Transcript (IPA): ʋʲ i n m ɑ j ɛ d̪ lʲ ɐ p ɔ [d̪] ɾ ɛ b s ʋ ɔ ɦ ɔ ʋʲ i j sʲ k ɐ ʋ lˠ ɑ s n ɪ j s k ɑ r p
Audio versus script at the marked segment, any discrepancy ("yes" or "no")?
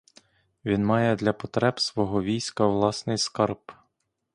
yes